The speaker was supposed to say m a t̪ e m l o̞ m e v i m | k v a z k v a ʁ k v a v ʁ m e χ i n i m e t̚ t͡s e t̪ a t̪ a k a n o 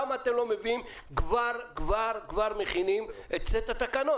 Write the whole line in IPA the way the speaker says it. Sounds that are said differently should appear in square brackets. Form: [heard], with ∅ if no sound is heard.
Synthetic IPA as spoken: m a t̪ e m l o̞ m e v i m | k v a [ʁ] k v a ʁ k v a [∅] ʁ m e χ i n i m e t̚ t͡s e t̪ a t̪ a k a n o